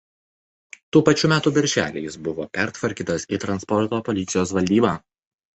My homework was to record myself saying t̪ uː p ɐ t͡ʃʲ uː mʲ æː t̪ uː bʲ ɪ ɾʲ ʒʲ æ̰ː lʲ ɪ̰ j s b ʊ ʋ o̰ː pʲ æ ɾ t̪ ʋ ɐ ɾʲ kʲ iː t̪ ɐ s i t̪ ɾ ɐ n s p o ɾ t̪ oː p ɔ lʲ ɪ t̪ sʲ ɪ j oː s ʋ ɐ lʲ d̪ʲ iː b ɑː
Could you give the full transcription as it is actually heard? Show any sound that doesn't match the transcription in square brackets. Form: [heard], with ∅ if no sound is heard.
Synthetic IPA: t̪ uː p ɐ t͡ʃʲ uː mʲ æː t̪ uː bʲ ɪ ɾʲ ʒʲ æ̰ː lʲ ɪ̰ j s b ʊ ʋ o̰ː pʲ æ ɾ t̪ ʋ ɐ ɾʲ kʲ iː t̪ ɐ s i t̪ ɾ ɐ n s p [ɔ] ɾ t̪ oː p ɔ lʲ ɪ t̪ sʲ ɪ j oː s ʋ ɐ lʲ d̪ʲ iː b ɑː

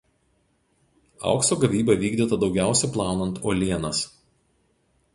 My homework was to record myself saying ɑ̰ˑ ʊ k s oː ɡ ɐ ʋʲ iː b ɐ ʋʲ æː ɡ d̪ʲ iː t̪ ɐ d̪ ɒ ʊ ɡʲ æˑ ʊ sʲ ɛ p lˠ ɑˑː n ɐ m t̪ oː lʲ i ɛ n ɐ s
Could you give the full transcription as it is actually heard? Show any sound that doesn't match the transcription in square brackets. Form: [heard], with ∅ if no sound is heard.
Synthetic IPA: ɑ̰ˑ ʊ k s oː ɡ ɐ ʋʲ iː b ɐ ʋʲ [iː] ɡ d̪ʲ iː t̪ ɐ d̪ ɒ ʊ ɡʲ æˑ ʊ sʲ ɛ p lˠ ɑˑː n ɐ [n] t̪ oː lʲ i ɛ n ɐ s

